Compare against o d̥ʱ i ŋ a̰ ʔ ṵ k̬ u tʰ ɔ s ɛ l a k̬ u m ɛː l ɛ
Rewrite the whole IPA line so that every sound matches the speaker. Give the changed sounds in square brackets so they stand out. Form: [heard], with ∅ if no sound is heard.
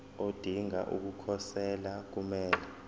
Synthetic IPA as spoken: o d̥ʱ i ŋ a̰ ʔ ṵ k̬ u [kʰ] ɔ s ɛ l a k̬ u m ɛː l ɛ